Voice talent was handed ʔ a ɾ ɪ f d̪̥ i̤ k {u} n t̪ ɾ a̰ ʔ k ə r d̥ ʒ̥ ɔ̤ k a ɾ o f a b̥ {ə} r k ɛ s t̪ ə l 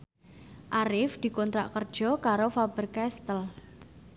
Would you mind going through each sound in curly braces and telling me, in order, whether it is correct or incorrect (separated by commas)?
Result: incorrect, correct